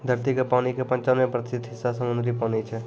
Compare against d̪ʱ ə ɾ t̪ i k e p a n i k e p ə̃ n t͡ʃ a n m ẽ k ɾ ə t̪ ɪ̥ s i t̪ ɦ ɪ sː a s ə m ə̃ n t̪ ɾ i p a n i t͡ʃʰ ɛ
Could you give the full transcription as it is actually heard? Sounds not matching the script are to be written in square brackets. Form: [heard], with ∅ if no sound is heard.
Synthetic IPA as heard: d̪ʱ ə ɾ t̪ i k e p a n i k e p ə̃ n t͡ʃ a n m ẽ [p] ɾ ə t̪ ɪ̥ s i t̪ ɦ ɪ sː a s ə m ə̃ n [d̪] ɾ i p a n i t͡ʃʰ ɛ